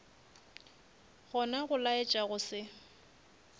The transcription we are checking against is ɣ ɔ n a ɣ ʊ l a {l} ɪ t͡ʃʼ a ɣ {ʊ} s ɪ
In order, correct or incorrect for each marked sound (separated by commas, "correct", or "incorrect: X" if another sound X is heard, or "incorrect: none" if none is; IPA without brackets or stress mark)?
incorrect: none, correct